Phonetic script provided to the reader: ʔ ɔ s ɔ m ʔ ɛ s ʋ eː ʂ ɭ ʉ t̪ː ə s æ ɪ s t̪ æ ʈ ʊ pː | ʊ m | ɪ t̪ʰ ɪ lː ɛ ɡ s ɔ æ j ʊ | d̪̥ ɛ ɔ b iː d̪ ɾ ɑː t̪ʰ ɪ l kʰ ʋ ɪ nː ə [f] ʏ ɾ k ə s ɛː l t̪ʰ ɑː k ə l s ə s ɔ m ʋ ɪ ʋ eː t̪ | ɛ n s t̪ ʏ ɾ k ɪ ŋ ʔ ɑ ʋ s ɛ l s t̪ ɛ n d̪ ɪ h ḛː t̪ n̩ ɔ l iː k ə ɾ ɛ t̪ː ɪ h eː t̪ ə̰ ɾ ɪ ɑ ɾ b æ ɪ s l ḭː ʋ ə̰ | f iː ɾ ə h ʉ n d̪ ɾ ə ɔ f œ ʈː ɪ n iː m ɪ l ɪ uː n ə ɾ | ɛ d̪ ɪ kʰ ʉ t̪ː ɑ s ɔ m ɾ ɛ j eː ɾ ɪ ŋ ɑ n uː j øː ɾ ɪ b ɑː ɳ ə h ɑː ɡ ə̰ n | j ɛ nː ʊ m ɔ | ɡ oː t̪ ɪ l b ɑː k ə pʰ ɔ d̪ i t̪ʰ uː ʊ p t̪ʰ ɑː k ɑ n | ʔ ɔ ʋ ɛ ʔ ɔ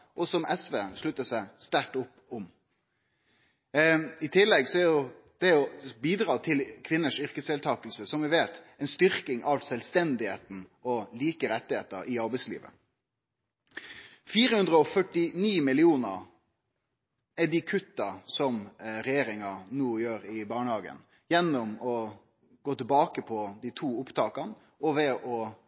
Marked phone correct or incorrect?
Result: incorrect: ʂ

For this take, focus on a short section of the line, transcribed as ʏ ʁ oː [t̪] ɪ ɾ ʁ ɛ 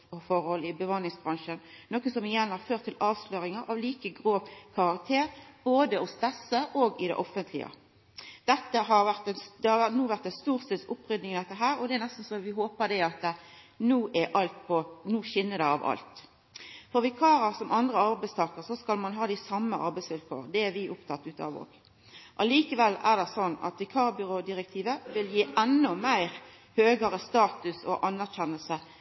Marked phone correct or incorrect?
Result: incorrect: d̪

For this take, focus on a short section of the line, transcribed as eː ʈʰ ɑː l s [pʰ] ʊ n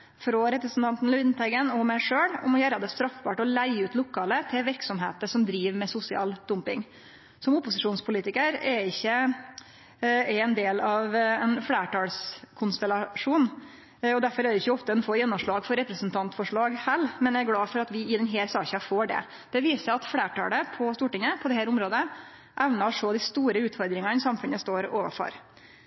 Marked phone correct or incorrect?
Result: incorrect: kʰ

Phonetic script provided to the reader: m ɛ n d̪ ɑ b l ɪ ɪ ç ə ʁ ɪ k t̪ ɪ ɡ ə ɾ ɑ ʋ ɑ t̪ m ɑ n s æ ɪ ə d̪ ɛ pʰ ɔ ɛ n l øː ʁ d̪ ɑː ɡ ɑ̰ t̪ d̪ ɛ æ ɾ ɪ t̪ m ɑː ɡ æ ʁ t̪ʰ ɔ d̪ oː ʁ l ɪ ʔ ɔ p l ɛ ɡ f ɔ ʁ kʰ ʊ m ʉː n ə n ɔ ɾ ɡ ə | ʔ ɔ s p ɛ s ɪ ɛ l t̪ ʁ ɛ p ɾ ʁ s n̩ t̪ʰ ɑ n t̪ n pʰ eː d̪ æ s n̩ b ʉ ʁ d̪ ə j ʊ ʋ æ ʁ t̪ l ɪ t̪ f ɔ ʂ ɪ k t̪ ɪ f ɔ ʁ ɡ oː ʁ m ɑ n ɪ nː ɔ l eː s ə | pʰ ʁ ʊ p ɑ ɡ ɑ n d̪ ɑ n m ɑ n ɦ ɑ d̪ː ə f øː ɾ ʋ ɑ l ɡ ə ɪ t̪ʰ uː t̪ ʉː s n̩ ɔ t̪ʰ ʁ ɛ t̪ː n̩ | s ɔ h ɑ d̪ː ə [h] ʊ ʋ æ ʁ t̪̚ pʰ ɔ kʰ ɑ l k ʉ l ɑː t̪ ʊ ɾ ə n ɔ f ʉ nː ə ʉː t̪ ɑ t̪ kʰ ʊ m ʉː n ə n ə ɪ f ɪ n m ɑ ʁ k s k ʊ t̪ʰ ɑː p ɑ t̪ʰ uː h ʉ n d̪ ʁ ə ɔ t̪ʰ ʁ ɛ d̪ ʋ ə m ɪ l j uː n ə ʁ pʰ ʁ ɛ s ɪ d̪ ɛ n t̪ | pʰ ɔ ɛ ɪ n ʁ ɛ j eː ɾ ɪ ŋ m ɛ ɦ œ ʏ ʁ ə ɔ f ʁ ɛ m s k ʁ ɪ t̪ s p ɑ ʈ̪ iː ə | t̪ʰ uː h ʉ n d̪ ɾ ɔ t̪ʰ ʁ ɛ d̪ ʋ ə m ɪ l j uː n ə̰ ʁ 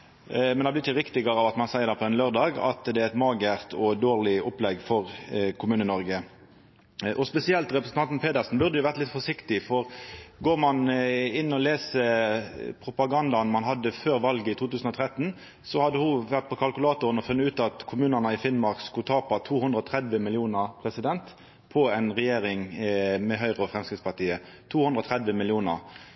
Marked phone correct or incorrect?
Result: correct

